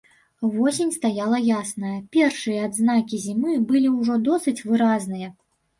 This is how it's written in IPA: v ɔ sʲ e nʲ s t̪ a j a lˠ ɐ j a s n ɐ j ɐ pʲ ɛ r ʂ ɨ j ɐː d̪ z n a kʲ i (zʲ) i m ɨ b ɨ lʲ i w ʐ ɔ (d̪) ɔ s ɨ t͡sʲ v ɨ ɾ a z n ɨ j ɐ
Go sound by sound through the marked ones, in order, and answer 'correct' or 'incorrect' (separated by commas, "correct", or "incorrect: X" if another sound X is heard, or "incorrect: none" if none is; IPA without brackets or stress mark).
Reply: correct, correct